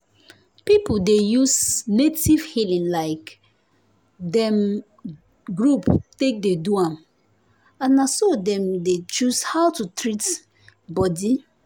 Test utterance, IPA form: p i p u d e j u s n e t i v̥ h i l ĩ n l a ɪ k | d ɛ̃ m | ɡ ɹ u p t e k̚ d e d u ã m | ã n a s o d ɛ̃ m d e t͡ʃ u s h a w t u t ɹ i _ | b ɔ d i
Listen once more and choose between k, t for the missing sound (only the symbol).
t